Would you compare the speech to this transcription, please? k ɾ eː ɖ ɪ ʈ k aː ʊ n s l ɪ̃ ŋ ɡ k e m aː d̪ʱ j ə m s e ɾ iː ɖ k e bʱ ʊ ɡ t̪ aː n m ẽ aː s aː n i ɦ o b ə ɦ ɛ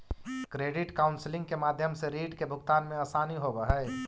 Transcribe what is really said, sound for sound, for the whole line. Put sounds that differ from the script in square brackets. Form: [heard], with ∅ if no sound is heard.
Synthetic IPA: k ɾ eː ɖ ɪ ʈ k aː ʊ n s l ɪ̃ ŋ ɡ k e m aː d̪ʱ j ə m s e ɾ iː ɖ k e bʱ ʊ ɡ t̪ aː n m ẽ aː s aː n i ɦ o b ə ɦ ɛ

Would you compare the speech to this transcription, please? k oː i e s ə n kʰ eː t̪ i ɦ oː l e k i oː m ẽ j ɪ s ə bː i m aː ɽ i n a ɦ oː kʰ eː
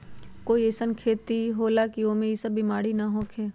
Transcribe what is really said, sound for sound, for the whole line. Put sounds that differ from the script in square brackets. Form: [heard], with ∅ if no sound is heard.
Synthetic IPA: k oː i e s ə n kʰ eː t̪ i ɦ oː l [a] k i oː m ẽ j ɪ s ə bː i m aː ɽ i n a ɦ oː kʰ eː

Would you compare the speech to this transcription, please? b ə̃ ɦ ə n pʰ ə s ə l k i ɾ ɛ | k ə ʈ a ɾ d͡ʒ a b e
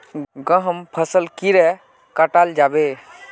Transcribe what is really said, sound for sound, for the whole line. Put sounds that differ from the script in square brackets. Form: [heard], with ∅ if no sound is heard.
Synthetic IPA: [ɡ] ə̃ ɦ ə [m] pʰ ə s ə l k i ɾ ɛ | k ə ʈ a [l] d͡ʒ a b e

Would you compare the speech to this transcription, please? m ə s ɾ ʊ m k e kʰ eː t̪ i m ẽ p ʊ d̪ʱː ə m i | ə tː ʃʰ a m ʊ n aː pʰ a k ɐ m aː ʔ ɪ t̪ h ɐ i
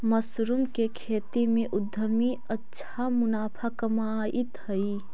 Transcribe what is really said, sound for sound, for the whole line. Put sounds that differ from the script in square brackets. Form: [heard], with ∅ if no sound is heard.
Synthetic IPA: m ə s ɾ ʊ m k e kʰ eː t̪ i m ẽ [ʔ] ʊ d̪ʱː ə m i | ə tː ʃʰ a m ʊ n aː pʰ a k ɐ m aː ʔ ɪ t̪ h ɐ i

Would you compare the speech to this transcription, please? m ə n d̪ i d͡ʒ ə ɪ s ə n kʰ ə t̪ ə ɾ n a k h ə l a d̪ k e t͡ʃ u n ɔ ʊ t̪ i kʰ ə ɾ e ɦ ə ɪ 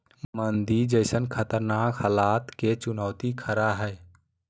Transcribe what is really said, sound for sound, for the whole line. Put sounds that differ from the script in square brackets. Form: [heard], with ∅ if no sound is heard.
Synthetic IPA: m ə n d̪ i d͡ʒ ə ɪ s ə n kʰ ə t̪ ə ɾ n a k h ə l a [t̪] k e t͡ʃ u n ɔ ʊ t̪ i kʰ ə ɾ [a] ɦ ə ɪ

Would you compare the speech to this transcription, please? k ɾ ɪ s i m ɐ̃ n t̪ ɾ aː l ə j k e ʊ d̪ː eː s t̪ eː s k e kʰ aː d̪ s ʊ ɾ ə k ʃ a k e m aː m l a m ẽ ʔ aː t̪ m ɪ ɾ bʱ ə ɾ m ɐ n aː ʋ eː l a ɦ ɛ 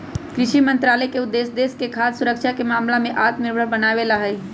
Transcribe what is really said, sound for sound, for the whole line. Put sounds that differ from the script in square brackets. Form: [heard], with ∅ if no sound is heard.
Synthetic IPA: k ɾ ɪ [ʃ] i m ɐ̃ n t̪ ɾ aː l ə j k e ʊ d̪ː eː s [d̪] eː s k e kʰ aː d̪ s ʊ ɾ ə k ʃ a k e m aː m l a m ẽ ʔ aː t̪ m ɪ ɾ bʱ ə ɾ [b] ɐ n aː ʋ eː l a ɦ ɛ

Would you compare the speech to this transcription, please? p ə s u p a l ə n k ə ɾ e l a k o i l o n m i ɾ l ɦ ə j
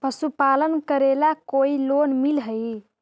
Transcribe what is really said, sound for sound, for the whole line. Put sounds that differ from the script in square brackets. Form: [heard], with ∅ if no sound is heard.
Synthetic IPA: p ə s u p a l ə n k ə ɾ e l a k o i l o n m i [∅] l ɦ ə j

